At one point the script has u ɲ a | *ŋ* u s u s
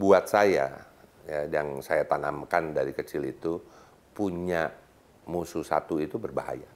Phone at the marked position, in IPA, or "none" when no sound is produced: m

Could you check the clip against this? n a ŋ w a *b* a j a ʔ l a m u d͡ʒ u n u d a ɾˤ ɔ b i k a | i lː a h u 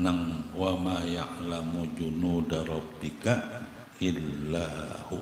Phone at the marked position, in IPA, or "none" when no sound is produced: m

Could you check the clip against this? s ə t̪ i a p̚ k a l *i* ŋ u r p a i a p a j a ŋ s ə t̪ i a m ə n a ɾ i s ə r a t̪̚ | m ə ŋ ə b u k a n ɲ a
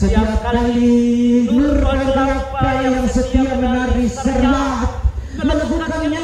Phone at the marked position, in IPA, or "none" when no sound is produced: i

